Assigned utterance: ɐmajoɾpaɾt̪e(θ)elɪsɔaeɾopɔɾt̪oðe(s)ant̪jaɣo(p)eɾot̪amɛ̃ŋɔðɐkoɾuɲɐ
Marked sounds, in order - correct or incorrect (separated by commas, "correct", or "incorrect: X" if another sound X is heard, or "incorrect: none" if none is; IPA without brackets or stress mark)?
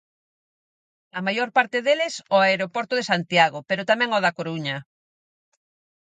incorrect: ð, correct, correct